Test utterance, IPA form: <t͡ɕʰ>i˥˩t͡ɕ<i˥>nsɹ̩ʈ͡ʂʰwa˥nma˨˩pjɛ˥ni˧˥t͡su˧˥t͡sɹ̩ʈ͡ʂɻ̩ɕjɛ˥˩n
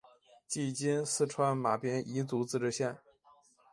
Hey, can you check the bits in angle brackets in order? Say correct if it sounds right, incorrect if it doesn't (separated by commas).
incorrect, correct